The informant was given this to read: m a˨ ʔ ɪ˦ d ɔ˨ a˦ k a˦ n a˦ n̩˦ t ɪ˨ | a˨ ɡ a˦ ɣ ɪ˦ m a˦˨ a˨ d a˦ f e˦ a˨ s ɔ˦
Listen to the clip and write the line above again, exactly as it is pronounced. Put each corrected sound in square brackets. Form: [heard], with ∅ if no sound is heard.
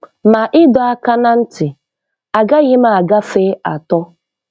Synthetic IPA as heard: m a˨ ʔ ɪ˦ d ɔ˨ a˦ k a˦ n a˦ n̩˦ t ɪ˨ | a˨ ɡ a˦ ɣ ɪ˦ m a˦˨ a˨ [ɡ] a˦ f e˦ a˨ [t] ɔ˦